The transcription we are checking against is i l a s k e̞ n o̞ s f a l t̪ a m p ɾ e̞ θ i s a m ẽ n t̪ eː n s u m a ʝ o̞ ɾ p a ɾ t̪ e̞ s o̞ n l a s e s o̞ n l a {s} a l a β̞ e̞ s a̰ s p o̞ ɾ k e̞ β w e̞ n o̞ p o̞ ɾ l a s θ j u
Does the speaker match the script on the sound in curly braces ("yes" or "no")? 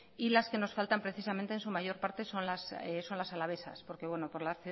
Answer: yes